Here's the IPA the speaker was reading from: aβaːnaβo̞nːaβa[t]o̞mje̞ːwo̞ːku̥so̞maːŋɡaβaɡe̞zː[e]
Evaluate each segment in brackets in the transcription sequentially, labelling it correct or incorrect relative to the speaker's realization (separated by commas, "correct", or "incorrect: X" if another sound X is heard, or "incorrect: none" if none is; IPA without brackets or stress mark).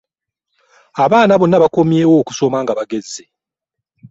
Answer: incorrect: k, correct